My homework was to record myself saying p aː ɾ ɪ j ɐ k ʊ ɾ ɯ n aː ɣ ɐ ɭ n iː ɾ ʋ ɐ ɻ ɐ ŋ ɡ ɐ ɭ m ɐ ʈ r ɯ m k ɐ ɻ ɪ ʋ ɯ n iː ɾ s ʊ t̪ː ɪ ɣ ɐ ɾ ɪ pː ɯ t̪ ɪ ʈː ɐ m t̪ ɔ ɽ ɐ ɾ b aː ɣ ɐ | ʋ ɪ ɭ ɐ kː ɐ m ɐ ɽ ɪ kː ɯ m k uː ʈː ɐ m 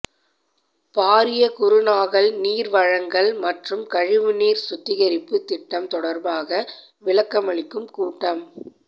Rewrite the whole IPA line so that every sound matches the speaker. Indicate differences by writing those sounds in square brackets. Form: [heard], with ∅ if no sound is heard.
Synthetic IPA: p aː ɾ ɪ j ɐ k ʊ ɾ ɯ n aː ɣ ɐ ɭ n iː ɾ ʋ ɐ ɻ ɐ ŋ ɡ ɐ ɭ m ɐ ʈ r ɯ m k ɐ ɻ ɪ ʋ ɯ n iː ɾ s ʊ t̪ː ɪ ɣ ɐ ɾ ɪ pː ɯ t̪ ɪ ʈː ɐ m t̪ ɔ ɽ ɐ ɾ b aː ɣ ɐ | ʋ ɪ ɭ ɐ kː ɐ m ɐ [ɭ] ɪ kː ɯ m k uː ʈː ɐ m